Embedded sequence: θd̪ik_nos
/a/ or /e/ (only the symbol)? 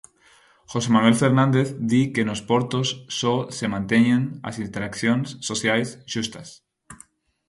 e